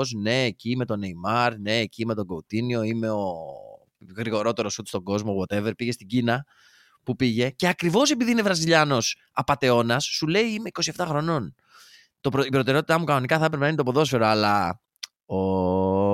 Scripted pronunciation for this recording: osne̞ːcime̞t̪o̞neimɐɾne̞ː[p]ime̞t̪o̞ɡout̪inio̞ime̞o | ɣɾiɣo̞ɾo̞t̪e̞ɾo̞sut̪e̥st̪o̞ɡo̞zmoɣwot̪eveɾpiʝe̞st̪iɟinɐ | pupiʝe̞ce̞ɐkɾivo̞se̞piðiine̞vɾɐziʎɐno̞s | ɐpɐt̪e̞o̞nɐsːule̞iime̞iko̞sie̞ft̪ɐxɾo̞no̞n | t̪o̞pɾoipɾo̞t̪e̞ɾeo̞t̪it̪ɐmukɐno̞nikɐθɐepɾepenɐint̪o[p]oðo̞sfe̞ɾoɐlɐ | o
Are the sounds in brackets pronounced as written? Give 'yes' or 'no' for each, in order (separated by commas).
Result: no, yes